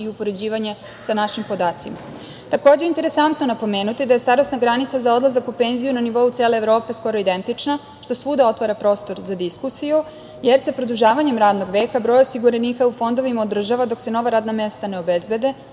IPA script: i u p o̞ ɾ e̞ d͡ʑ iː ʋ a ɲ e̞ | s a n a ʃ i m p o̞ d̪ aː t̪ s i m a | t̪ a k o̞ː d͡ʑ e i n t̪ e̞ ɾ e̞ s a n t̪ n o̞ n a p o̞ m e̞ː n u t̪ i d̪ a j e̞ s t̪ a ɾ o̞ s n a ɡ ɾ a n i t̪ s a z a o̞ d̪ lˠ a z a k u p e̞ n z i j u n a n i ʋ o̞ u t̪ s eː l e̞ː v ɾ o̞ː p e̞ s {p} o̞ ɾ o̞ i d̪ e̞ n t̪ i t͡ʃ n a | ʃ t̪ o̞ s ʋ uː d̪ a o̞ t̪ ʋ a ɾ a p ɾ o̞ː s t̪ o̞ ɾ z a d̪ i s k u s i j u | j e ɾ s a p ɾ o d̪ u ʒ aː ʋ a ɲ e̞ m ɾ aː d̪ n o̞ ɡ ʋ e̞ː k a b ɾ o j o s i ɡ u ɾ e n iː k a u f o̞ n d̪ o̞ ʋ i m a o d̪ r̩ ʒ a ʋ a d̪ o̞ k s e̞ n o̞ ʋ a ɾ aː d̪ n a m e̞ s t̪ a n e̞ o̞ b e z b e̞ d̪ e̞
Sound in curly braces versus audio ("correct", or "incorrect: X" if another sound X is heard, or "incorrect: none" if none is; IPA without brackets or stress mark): incorrect: k